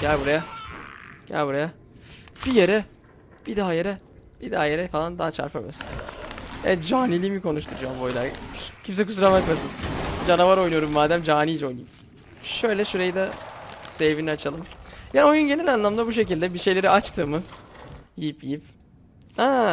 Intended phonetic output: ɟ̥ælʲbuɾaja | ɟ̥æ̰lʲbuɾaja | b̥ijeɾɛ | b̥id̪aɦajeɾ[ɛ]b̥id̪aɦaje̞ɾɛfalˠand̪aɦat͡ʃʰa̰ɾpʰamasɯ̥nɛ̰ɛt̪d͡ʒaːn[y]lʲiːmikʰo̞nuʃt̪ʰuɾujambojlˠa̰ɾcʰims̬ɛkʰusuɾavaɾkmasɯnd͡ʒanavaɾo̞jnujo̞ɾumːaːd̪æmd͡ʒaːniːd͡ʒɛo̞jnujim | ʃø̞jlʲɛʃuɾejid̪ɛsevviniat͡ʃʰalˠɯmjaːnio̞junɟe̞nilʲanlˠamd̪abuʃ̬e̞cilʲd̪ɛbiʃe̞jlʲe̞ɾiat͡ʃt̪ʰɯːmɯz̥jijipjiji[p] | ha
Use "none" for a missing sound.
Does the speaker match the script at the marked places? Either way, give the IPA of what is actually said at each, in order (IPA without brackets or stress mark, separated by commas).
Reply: ɛ, i, p